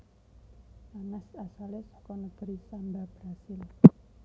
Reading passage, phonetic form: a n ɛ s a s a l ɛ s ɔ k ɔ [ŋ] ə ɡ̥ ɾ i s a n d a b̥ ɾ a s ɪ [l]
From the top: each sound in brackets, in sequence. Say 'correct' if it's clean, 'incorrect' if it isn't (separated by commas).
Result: incorrect, correct